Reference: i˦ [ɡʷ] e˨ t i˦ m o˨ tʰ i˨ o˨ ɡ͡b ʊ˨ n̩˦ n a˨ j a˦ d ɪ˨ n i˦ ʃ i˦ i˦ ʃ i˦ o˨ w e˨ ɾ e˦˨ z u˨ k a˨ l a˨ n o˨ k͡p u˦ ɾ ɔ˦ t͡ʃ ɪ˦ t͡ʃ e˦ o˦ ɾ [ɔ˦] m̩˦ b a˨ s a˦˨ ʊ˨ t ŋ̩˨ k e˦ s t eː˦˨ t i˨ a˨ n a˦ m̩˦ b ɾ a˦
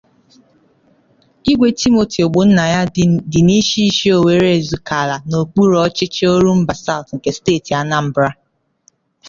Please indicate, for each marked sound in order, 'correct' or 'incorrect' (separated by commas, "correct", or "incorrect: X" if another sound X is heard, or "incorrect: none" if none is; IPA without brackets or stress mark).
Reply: correct, incorrect: u˦